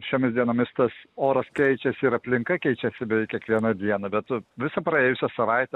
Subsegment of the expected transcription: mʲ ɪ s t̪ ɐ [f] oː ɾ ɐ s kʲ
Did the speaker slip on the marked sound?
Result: yes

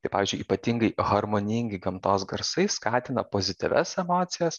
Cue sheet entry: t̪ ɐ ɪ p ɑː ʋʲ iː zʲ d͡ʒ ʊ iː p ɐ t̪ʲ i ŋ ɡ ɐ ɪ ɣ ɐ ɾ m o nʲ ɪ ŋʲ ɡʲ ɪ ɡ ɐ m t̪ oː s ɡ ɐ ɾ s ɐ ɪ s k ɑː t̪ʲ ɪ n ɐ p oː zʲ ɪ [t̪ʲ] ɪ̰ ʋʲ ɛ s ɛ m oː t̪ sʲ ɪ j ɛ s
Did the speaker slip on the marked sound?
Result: no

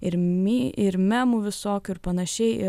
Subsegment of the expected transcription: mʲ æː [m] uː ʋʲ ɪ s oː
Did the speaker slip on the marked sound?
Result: no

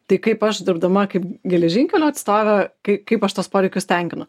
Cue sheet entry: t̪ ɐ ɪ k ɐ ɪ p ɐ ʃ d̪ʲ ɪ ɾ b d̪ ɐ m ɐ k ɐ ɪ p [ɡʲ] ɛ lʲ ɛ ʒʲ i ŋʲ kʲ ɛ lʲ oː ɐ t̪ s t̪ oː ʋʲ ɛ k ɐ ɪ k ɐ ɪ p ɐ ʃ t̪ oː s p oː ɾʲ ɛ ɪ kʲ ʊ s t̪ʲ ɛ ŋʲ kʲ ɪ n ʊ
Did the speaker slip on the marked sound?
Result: no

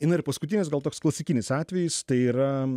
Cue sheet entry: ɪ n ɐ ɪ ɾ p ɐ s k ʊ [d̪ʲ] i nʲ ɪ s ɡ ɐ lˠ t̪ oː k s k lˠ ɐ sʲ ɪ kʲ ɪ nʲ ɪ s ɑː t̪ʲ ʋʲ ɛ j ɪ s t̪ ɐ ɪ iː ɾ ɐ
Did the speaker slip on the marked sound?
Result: yes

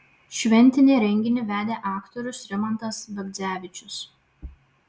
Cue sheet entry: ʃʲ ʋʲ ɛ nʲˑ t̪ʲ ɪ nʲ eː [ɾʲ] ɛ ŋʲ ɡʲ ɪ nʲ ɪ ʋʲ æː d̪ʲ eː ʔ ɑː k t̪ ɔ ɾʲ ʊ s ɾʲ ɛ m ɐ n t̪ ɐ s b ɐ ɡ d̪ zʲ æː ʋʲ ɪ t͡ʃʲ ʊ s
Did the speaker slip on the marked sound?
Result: no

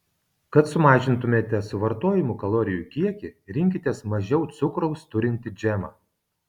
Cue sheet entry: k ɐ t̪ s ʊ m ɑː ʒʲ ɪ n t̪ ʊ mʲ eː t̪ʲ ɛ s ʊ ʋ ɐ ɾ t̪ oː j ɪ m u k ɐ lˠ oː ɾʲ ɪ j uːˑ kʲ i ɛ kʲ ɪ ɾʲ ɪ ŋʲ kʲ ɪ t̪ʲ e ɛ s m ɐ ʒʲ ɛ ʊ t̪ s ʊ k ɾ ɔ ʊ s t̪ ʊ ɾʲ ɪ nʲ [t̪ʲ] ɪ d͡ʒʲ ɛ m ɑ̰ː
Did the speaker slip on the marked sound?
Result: no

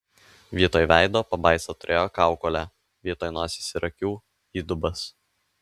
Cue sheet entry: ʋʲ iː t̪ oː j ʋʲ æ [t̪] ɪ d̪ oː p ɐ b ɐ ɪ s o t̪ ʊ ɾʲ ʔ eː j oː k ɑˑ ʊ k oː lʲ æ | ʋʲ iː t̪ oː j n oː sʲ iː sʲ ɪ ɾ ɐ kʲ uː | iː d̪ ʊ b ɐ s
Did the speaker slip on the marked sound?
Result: yes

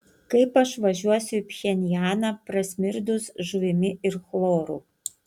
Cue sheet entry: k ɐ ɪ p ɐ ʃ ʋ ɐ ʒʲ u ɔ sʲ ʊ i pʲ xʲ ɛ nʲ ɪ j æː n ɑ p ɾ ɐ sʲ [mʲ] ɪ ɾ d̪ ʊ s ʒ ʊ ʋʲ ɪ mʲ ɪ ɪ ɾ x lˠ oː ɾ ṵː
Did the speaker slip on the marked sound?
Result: no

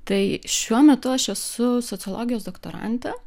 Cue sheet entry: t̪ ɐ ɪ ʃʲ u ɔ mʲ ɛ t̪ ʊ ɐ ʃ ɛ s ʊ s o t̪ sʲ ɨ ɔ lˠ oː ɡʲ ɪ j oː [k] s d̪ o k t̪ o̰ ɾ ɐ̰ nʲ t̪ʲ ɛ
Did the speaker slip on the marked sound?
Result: yes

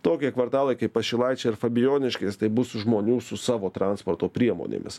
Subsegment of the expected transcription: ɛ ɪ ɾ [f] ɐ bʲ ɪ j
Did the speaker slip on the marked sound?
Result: no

